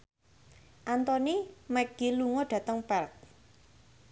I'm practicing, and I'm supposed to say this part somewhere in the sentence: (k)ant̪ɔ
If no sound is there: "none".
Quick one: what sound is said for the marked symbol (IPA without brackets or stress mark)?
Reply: ʔ